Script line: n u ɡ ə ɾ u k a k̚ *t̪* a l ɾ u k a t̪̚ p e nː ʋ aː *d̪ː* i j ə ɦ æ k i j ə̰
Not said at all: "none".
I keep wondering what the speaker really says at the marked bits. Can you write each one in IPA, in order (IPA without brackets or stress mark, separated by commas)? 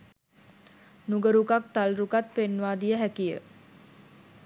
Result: t̪, d̪